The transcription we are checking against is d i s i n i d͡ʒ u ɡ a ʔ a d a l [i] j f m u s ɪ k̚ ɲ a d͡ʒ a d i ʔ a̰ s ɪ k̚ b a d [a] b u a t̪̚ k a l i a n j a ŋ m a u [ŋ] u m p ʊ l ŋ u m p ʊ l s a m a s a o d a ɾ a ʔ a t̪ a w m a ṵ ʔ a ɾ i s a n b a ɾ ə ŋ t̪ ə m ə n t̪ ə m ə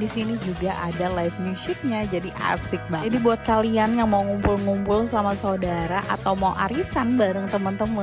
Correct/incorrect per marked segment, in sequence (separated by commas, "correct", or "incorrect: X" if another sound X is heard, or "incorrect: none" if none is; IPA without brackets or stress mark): incorrect: a, incorrect: i, correct